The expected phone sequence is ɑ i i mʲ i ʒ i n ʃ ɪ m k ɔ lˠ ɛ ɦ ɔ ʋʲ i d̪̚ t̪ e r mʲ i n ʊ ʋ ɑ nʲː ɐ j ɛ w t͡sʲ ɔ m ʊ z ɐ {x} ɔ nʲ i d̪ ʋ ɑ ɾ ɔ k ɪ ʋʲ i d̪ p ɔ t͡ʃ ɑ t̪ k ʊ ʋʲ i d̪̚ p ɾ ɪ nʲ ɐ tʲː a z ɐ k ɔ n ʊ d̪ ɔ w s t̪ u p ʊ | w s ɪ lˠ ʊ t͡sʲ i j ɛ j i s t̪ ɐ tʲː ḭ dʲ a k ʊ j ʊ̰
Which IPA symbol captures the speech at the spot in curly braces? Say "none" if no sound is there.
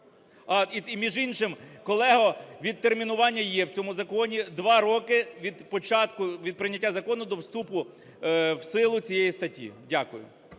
k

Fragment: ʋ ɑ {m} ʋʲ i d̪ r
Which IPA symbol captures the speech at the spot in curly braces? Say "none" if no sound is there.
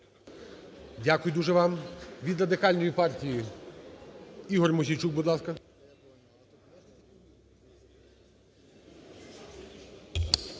m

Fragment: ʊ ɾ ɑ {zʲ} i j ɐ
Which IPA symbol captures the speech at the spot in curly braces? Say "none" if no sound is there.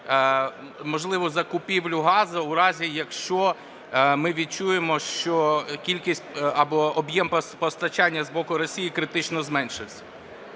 zʲ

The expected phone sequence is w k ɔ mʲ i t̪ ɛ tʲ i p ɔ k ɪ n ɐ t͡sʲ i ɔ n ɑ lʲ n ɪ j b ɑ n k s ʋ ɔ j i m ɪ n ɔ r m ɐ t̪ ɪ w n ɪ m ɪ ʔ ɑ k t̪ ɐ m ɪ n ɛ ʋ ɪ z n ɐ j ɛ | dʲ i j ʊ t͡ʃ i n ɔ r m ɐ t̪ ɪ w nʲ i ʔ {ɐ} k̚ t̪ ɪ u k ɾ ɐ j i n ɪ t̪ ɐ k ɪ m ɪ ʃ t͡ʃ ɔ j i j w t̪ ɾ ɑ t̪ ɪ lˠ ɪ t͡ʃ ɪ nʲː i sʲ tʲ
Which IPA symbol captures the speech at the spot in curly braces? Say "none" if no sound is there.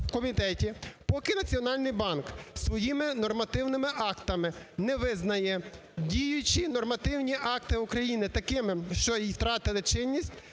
ɑ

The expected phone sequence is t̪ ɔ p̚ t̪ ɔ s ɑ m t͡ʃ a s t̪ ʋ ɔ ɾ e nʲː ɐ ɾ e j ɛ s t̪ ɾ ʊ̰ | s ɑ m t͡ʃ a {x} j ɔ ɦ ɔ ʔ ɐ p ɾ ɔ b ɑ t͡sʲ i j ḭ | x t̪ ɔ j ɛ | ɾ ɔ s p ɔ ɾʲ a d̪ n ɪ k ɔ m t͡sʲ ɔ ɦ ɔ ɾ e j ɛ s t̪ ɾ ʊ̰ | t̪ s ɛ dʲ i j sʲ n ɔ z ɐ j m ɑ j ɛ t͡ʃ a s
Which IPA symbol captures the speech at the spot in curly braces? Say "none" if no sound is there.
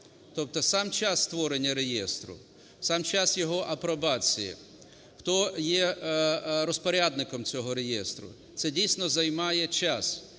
s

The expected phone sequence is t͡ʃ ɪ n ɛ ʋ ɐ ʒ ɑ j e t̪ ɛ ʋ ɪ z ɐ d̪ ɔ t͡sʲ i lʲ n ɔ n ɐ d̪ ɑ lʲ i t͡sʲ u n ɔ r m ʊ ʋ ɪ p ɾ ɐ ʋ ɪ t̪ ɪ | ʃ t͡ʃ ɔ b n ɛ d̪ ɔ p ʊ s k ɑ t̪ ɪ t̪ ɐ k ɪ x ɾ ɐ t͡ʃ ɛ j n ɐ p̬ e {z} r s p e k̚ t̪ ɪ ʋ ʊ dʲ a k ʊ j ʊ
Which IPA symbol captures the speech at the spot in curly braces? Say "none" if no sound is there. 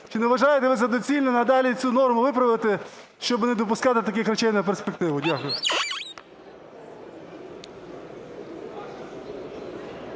none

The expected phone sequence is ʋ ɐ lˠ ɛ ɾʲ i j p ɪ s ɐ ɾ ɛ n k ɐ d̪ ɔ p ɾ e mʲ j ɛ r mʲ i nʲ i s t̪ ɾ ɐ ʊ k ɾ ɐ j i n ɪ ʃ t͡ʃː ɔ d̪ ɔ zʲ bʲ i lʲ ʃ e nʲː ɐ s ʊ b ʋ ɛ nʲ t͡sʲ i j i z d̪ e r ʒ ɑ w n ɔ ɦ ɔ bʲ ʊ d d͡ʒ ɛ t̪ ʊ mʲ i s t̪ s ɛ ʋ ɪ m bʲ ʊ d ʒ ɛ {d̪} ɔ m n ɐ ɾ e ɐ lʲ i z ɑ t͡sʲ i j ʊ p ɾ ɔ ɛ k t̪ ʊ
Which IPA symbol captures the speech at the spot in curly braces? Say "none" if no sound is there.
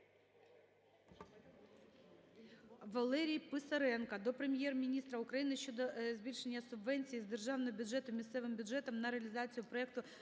t̪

